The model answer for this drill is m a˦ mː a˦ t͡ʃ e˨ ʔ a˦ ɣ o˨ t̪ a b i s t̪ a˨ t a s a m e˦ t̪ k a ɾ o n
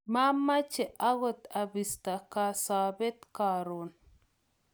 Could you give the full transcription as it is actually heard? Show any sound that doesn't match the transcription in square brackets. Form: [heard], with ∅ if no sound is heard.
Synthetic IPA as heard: m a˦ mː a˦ t͡ʃ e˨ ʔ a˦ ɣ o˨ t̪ a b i s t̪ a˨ [k] a s a [b] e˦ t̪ k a ɾ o n